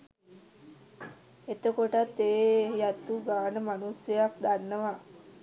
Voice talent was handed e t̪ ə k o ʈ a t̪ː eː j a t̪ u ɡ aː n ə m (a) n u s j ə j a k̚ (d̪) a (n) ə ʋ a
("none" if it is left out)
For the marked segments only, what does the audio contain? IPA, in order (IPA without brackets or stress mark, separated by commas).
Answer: a, d̪, nː